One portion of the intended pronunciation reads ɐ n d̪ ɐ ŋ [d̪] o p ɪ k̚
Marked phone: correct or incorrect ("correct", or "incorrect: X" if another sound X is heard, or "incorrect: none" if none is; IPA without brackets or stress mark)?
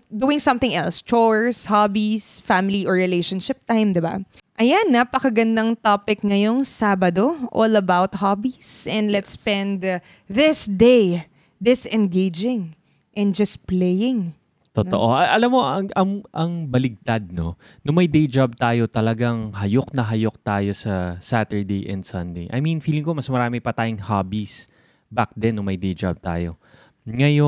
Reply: incorrect: t̪